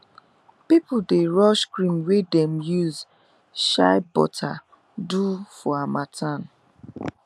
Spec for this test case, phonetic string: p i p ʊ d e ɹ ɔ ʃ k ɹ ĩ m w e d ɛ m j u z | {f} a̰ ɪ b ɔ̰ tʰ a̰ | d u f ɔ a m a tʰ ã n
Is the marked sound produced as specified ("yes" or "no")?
no